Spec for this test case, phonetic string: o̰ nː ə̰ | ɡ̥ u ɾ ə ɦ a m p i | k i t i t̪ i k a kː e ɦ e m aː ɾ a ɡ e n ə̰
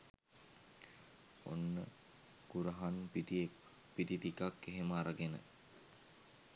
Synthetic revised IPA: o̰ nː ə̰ | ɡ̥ u ɾ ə ɦ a n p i | p i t i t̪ i k a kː e ɦ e m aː ɾ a ɡ e n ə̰

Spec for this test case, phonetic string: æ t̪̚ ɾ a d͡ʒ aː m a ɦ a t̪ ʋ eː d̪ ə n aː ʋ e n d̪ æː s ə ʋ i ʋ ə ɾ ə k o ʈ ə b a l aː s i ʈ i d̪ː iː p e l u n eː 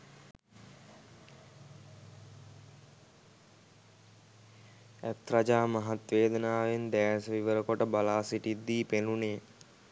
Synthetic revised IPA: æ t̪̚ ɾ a d͡ʒ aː m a ɦ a t̪ ʋ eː d̪ ə n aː ʋ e n d̪ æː s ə ʋ i ʋ ə ɾ ə k o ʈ ə b a l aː s i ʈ i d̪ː iː p e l u n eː

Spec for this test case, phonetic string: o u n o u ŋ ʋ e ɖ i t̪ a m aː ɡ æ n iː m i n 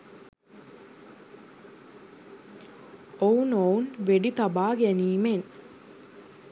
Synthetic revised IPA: o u n o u n ʋ e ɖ i t̪ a b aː ɡ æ n iː m e n

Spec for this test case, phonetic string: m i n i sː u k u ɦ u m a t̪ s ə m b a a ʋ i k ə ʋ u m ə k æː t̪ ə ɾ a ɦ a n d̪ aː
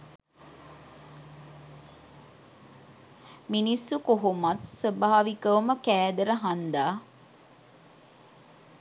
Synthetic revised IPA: m i n i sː u k o ɦ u m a t̪ s ə b a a ʋ i k ə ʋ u m ə k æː d̪ ə ɾ ə ɦ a n d̪ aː

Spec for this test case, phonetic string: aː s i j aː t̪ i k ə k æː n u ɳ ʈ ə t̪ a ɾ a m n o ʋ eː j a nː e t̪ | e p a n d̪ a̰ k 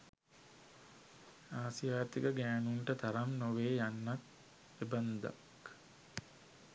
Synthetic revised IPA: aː s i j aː t̪ i k ə ɡ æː n u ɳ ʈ ə t̪ a ɾ a m n o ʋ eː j a nː a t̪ | e b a n d̪ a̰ k

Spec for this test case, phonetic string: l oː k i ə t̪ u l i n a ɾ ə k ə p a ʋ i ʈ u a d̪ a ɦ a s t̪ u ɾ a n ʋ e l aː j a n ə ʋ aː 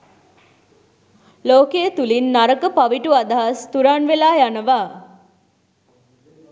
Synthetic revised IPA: l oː k e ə t̪ u l i nː a ɾ ə k ə p a ʋ i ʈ u a d̪ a ɦ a s t̪ u ɾ a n ʋ e l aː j a n ə ʋ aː

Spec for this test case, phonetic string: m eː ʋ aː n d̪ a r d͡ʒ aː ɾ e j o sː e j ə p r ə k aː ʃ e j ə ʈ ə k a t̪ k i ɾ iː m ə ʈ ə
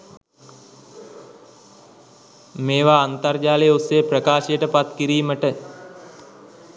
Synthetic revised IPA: m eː ʋ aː n t̪ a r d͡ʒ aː l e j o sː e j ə p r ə k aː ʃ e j ə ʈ ə p a t̪ k i ɾ iː m ə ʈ ə

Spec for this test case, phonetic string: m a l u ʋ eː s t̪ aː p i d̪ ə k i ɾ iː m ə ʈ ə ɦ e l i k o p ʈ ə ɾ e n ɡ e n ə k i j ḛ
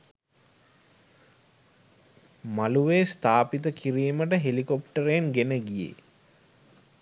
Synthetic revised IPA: m a l u ʋ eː s t̪ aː p i t̪ ə k i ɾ iː m ə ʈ ə ɦ e l i k o p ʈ ə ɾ e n ɡ e n ə ɡ i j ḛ

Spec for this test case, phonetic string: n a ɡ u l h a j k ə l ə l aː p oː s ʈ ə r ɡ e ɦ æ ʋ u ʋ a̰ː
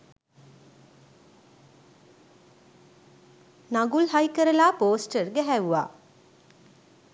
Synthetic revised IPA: n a ɡ u l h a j k ə ɾ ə l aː p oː s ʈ ə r ɡ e ɦ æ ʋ u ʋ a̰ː

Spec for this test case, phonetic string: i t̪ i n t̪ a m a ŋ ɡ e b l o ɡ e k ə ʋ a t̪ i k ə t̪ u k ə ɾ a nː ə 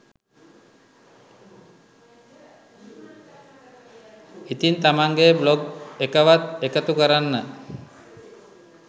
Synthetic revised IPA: i t̪ i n t̪ a m a ŋ ɡ e b l o ɡ e k ə ʋ a t̪ e k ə t̪ u k ə ɾ a nː ə

